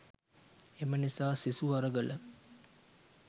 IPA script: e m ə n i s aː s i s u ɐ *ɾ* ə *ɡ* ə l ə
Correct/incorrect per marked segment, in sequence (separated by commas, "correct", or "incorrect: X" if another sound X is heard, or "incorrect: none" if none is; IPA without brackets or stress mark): correct, correct